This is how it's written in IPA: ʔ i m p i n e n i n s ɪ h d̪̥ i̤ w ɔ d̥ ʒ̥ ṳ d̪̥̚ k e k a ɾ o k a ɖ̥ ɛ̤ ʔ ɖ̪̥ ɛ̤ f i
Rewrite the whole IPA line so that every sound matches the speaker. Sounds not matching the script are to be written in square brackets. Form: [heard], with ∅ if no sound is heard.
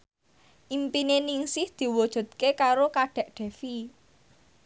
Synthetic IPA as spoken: ʔ i m p i n e n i [ŋ] s ɪ h d̪̥ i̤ w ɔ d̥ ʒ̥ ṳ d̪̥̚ k e k a ɾ o k a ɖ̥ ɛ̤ ʔ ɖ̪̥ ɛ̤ f i